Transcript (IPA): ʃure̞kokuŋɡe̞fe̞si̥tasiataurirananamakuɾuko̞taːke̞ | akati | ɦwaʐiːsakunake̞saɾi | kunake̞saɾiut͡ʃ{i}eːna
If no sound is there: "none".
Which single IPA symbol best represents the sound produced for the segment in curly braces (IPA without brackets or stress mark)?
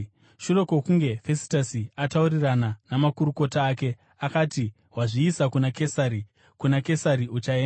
a